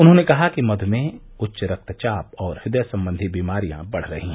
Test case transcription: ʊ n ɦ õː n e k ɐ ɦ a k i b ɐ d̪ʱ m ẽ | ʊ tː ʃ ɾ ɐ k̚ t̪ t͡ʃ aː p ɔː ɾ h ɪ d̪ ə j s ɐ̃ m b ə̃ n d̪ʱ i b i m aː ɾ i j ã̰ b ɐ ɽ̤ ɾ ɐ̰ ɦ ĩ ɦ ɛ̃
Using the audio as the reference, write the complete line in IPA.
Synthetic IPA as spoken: ʊ n ɦ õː n e k ɐ ɦ a k i m ɐ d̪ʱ m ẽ | ʊ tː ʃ ɾ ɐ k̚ t̪ t͡ʃ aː p ɔː ɾ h ɪ d̪ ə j s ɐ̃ m b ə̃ n d̪ʱ i b iː m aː ɾ i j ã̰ b ɐ ɽ̤ ɾ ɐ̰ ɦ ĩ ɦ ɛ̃